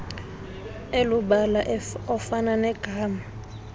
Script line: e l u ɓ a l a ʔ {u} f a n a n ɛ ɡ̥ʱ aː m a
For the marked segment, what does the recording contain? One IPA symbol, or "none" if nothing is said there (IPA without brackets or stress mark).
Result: ɔ